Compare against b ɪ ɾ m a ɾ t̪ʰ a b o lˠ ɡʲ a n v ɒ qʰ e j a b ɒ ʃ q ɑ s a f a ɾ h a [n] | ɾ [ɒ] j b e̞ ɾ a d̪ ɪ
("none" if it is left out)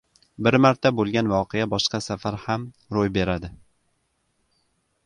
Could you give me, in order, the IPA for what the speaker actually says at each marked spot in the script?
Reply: m, o

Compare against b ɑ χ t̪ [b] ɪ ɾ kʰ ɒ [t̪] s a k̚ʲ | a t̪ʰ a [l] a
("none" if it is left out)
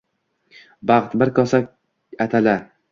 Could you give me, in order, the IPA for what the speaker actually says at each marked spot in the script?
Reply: b, none, l

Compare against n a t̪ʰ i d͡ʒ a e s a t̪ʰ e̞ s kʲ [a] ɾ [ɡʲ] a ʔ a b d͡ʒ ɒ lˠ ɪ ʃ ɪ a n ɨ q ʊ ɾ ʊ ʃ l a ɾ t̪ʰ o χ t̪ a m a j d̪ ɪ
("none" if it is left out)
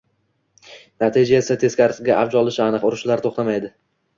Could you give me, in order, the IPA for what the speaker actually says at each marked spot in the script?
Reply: a, ɡʲ

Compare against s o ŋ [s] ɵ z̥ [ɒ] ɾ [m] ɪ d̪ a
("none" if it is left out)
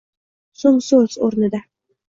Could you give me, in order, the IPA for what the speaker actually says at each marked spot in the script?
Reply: s, o, n

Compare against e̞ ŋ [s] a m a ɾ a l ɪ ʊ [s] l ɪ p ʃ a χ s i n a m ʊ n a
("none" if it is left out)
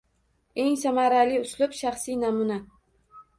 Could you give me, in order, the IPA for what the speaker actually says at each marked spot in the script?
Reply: s, s

